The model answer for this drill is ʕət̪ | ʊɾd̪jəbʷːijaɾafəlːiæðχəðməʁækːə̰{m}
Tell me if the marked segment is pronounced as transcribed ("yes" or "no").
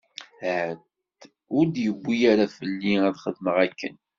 no